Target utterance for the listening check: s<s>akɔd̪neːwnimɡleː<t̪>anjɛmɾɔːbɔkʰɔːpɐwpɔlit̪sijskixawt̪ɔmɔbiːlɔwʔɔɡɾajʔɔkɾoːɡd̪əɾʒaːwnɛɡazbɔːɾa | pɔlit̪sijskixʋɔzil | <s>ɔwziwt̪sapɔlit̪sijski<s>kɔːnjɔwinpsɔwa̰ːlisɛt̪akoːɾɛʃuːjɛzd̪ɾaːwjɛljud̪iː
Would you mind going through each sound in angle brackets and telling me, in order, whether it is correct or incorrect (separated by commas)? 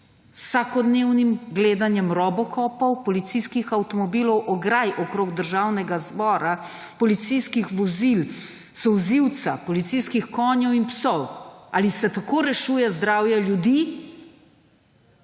correct, incorrect, correct, incorrect